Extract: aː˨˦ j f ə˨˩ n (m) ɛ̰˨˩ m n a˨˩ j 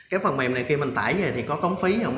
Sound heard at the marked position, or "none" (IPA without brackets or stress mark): m